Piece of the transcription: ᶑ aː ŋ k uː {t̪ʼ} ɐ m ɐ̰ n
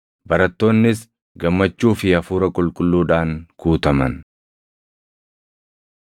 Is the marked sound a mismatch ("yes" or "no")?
yes